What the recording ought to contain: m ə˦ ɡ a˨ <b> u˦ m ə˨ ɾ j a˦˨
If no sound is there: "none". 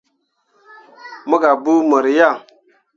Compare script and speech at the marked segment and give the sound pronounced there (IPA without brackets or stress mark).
b